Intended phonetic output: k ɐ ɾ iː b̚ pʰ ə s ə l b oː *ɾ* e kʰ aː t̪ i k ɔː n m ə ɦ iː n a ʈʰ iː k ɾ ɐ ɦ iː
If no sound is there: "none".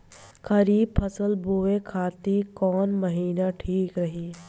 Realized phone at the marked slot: none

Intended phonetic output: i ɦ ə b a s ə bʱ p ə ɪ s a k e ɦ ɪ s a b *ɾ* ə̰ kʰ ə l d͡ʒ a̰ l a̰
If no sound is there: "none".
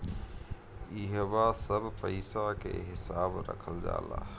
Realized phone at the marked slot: ɾ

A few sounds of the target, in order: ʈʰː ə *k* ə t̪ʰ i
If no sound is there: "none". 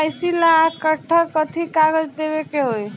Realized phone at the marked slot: k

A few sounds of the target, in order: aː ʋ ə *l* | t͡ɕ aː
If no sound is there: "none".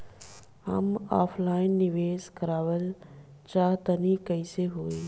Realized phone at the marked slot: l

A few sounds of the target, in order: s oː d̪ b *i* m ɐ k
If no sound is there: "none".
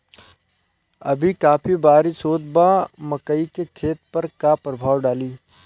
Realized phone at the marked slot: a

